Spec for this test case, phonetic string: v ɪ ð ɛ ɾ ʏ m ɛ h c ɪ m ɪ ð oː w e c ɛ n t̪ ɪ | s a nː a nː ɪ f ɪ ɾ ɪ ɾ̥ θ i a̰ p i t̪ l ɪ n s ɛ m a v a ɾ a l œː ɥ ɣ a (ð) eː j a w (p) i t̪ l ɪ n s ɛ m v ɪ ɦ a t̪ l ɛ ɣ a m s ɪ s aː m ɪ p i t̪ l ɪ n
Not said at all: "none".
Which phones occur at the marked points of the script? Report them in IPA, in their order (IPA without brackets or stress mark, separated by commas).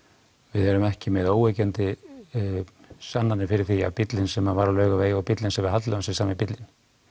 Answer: v, p